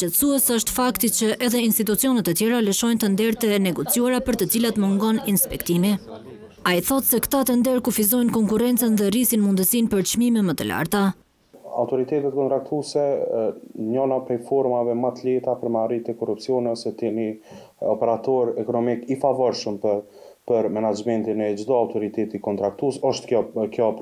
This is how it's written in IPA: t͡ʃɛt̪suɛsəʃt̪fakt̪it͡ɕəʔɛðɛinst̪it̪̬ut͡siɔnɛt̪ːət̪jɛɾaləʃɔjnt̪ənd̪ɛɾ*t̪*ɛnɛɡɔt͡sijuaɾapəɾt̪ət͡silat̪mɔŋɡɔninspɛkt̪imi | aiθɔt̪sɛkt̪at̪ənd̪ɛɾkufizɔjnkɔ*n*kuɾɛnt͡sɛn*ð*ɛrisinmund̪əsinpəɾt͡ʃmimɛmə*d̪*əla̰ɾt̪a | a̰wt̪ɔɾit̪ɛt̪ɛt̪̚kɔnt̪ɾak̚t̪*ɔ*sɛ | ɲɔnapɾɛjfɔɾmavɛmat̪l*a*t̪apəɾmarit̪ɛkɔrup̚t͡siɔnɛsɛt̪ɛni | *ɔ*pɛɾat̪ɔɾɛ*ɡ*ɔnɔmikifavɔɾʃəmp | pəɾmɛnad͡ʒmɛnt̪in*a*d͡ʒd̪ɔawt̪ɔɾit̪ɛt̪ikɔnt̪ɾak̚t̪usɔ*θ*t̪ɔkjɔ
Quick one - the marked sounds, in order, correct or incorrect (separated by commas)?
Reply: correct, incorrect, correct, incorrect, incorrect, incorrect, correct, incorrect, incorrect, incorrect